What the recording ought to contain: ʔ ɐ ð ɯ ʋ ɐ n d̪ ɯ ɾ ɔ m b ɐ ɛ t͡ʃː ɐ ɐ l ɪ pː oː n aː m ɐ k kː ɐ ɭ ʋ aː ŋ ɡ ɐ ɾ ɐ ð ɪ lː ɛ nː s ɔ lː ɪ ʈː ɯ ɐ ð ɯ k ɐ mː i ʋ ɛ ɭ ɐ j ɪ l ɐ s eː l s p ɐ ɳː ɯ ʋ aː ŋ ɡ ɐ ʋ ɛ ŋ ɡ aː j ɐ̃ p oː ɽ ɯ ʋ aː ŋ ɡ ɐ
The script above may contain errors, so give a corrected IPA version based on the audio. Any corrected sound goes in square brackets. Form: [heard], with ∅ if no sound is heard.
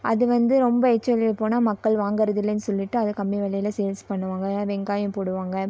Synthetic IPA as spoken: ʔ ɐ ð ɯ ʋ ɐ n d̪ ɯ ɾ ɔ m b ɐ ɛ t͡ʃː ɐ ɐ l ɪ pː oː n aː m ɐ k kː ɐ ɭ ʋ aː ŋ ɡ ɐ ɾ ɐ ð ɪ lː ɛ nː s ɔ lː ɪ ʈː ɯ ɐ ð ɯ k ɐ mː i ʋ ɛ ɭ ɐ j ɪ l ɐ s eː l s p ɐ ɳː ɯ ʋ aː ŋ ɡ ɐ ʋ ɛ ŋ ɡ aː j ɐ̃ p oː ɽ ɯ ʋ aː ŋ ɡ ɐ